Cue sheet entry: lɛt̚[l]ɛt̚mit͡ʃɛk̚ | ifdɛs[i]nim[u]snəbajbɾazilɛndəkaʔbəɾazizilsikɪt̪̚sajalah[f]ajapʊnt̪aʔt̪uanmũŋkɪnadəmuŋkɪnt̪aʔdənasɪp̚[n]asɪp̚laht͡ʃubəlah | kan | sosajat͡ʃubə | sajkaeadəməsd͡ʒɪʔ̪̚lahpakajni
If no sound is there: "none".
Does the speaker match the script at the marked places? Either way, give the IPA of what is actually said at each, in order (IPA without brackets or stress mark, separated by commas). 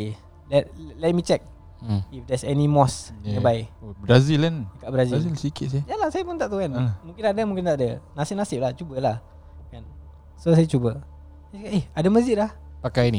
l, ɛ, ɔ, s, n